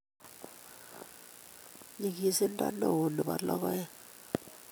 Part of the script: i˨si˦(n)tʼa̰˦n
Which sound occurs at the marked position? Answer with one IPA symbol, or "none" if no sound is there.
n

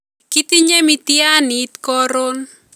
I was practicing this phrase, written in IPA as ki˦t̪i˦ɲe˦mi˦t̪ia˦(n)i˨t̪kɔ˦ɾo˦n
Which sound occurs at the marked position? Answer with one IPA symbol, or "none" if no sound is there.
n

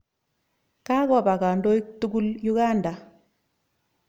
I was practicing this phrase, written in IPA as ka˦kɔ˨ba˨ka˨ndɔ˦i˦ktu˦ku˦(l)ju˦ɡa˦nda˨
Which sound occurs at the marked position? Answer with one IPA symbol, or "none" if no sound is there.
l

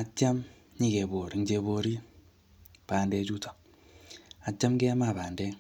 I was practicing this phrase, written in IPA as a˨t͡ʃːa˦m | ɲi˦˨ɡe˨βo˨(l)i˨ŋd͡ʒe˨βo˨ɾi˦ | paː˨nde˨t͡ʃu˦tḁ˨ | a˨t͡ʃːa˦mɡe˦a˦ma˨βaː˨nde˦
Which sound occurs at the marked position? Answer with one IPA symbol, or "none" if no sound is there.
ɾ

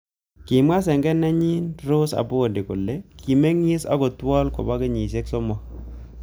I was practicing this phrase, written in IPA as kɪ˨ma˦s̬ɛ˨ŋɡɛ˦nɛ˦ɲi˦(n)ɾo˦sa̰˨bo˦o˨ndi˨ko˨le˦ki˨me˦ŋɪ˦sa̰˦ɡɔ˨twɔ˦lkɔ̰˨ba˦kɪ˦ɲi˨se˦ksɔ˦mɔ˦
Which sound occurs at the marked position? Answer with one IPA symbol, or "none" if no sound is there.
n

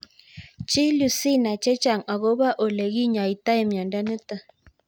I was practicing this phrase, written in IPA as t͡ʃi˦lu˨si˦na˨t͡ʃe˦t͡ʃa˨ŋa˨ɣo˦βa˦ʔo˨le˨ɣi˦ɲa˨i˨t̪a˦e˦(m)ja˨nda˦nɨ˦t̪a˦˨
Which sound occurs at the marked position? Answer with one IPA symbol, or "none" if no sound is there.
m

